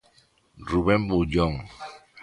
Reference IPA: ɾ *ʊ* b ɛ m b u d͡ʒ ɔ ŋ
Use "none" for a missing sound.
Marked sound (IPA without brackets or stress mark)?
u